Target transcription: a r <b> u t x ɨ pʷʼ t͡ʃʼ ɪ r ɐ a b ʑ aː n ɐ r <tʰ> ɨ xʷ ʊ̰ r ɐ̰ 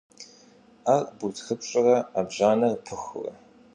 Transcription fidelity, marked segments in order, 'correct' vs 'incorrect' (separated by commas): correct, incorrect